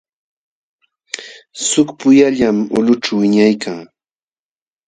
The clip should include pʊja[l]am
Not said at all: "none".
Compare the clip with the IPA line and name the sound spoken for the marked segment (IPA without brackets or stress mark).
ʎ